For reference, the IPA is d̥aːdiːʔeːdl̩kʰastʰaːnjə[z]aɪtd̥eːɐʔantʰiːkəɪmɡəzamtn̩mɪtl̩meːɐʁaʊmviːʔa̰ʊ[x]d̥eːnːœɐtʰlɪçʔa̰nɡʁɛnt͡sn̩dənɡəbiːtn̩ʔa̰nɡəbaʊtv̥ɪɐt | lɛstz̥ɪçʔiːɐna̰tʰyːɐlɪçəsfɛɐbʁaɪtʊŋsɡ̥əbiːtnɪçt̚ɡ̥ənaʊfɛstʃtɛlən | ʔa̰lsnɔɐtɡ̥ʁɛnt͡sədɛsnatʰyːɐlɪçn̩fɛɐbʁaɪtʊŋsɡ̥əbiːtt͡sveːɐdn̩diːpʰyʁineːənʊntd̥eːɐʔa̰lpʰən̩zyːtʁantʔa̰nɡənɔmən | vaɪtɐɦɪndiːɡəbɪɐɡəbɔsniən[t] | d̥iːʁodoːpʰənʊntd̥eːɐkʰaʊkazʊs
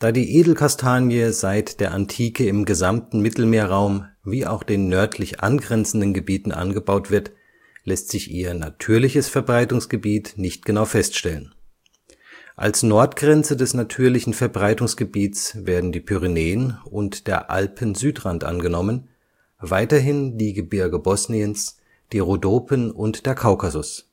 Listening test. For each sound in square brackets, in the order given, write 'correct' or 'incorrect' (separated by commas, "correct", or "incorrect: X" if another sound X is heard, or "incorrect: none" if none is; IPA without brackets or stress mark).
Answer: correct, correct, incorrect: s